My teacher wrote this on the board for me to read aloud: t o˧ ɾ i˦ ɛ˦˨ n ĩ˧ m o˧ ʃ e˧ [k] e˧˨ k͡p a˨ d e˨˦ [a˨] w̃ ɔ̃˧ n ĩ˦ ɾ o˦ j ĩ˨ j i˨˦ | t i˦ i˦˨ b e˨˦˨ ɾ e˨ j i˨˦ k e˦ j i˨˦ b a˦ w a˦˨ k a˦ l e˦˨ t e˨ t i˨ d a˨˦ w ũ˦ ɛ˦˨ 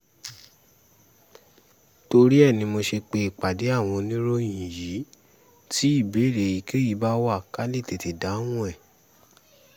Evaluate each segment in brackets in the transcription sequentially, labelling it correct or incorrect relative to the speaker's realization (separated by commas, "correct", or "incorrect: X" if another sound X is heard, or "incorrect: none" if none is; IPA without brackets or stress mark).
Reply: incorrect: k͡p, incorrect: a˦˨